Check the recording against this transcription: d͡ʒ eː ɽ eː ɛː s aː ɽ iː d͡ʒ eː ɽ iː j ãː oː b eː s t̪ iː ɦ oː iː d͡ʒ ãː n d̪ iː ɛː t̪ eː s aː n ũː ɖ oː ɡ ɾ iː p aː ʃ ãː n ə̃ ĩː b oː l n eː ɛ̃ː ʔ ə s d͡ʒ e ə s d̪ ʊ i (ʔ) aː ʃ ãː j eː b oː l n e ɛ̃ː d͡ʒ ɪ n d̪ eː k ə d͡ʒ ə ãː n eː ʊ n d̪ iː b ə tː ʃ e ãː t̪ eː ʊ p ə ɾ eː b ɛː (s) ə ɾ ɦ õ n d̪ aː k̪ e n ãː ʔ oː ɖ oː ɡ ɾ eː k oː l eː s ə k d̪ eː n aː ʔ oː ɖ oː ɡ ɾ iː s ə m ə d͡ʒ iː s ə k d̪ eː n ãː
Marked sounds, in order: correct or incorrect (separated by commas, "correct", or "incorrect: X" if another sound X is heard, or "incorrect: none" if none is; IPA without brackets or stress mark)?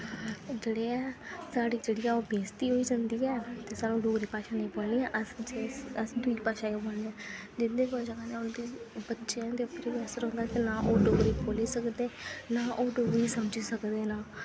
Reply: incorrect: p, correct